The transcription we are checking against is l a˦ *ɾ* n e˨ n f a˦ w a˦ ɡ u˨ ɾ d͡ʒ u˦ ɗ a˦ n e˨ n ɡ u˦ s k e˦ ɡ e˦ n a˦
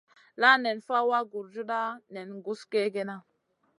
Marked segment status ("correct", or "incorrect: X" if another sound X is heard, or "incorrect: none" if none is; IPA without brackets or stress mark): incorrect: none